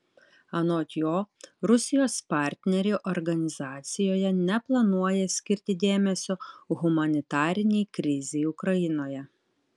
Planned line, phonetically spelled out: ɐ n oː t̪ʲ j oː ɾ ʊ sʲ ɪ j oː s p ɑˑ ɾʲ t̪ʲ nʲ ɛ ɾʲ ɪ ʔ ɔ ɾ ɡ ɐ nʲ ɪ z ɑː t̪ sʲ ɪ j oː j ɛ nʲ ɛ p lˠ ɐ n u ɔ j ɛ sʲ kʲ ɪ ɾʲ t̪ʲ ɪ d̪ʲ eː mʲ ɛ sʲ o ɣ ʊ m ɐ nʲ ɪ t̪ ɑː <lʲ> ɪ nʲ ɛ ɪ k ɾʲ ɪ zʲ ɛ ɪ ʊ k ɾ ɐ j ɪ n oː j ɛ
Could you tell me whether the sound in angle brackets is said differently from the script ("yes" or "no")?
yes